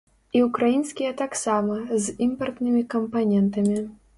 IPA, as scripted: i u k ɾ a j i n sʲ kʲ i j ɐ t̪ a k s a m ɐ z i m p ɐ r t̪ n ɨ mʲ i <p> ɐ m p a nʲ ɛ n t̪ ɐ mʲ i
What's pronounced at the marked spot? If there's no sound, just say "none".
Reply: k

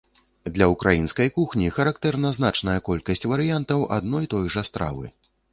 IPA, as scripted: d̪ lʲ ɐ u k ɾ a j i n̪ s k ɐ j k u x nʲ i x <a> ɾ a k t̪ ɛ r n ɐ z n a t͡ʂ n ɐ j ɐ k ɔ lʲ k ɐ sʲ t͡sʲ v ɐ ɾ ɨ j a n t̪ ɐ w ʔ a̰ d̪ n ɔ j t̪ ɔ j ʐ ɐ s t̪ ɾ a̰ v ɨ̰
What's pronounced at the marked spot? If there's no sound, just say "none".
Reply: ɐ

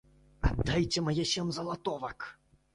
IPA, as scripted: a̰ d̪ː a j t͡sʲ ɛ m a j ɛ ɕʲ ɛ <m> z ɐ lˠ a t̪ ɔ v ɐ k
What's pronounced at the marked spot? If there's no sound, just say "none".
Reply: m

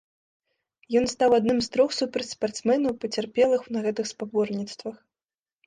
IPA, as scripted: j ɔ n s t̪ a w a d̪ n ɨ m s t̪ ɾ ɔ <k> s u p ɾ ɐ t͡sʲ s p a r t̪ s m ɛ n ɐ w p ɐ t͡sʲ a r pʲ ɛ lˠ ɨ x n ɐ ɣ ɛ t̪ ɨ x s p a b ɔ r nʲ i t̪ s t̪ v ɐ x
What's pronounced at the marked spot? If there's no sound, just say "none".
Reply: x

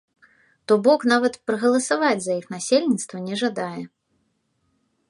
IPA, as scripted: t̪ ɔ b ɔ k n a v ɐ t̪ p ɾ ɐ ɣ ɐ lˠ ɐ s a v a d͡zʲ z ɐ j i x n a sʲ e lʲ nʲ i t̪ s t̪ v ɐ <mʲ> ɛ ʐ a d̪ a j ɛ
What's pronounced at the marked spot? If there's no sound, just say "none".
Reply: nʲ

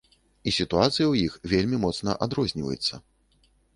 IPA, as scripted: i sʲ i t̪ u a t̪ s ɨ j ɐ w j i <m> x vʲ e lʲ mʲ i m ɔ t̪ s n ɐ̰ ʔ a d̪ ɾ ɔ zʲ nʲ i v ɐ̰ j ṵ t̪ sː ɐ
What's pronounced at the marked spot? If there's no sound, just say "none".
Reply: none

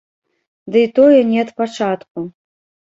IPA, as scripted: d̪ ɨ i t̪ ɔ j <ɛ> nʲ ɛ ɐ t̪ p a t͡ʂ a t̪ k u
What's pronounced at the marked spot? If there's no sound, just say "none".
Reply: ɛ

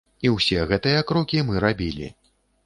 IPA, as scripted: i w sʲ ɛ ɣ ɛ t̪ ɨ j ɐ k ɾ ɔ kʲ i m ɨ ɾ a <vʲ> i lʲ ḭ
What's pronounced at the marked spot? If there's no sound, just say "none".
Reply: bʲ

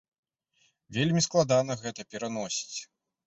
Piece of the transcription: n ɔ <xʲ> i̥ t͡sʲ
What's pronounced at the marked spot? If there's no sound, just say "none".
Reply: sʲ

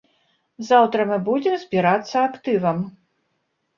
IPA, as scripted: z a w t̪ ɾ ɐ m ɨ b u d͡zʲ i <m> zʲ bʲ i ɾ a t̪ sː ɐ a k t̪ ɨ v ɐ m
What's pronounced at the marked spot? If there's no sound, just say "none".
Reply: m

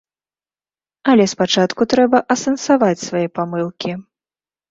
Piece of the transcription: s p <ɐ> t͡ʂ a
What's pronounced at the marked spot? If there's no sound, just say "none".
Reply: a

